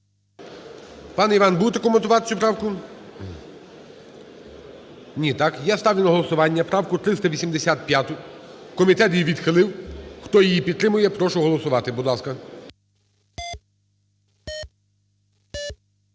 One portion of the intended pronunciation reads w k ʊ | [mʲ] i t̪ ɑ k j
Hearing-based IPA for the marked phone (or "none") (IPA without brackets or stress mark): nʲ